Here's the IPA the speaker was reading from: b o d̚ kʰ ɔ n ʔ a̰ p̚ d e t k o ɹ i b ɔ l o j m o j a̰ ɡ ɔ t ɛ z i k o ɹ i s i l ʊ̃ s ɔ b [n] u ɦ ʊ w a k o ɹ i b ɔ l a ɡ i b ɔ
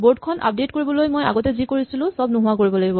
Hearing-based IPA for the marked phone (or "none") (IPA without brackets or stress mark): n